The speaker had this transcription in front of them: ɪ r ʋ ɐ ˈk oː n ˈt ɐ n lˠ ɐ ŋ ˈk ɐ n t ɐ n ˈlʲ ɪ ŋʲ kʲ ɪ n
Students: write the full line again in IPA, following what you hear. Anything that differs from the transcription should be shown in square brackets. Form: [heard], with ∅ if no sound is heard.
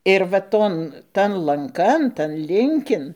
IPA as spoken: ɪ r ʋ ɐ [ˈt] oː n ˈt ɐ n lˠ ɐ ŋ ˈk ɐ n t ɐ n ˈlʲ ɪ ŋʲ kʲ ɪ n